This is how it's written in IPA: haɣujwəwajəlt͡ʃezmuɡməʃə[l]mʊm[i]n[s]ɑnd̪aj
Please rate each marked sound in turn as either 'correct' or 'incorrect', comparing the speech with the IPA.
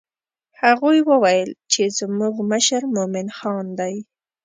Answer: incorrect, incorrect, incorrect

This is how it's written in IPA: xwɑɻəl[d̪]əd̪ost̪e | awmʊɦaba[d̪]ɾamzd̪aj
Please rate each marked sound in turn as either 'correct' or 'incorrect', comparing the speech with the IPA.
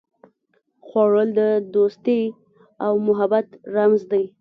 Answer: correct, incorrect

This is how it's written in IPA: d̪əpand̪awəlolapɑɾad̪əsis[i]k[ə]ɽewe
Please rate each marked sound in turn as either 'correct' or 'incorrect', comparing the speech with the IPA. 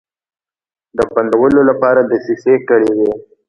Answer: incorrect, correct

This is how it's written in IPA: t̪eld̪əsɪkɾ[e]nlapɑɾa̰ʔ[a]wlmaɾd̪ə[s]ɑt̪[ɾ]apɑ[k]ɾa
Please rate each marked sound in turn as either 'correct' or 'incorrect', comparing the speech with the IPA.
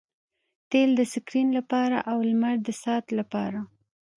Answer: incorrect, correct, correct, incorrect, incorrect

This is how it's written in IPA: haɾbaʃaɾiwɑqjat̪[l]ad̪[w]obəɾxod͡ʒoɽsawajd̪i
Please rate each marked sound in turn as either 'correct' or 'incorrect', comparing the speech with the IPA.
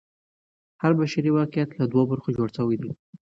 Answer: correct, correct

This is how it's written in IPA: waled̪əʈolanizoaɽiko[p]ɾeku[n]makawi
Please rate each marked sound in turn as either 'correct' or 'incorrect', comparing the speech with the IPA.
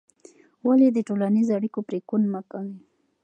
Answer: correct, correct

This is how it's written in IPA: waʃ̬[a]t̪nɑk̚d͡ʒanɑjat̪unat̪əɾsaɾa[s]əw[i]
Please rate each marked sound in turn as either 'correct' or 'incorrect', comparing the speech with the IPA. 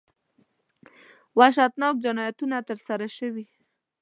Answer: correct, incorrect, correct

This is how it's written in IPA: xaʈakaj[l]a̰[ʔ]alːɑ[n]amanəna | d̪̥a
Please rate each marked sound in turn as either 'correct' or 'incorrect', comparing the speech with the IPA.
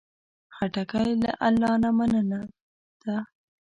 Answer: correct, correct, correct

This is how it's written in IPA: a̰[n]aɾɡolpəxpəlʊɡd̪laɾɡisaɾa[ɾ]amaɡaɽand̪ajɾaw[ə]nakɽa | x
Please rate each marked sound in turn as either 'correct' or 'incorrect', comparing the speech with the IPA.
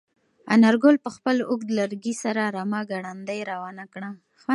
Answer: correct, correct, incorrect

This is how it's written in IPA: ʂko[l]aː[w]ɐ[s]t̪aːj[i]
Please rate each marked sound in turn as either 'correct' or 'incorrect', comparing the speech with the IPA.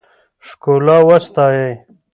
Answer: correct, correct, correct, incorrect

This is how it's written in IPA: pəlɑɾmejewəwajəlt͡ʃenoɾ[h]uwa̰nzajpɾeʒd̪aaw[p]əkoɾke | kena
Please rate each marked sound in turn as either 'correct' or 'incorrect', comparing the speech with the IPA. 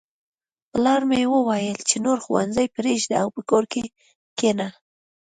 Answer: incorrect, correct

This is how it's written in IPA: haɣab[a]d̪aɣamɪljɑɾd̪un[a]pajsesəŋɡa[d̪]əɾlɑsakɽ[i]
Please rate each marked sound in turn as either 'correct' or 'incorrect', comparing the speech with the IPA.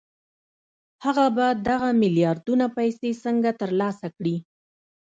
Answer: correct, correct, incorrect, correct

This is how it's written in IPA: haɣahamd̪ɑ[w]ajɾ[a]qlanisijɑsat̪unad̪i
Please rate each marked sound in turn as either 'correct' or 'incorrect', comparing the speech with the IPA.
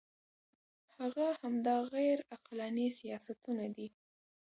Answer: incorrect, correct

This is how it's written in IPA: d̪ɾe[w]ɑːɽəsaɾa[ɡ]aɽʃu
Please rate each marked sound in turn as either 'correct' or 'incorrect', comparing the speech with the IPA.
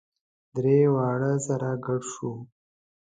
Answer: correct, correct

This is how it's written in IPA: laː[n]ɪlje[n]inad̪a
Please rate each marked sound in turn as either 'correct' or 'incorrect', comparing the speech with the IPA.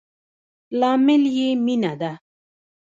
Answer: incorrect, incorrect

